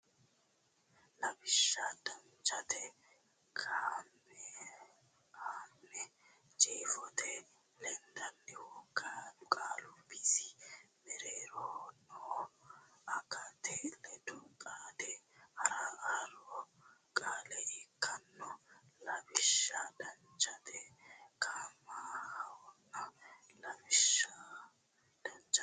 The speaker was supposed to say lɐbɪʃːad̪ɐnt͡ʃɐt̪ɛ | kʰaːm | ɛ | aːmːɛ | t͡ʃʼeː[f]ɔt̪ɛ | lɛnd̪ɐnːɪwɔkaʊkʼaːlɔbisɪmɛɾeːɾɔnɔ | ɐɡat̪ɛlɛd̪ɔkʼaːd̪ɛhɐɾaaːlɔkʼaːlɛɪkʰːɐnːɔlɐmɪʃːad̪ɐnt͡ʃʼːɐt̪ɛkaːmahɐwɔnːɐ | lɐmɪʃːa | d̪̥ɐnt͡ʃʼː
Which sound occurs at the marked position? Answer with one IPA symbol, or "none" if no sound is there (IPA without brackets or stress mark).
f